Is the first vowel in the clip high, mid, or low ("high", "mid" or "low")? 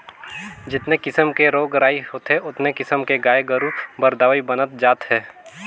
high